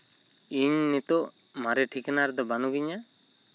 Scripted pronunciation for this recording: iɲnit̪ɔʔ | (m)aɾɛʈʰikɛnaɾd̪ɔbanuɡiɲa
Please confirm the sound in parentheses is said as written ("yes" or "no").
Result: yes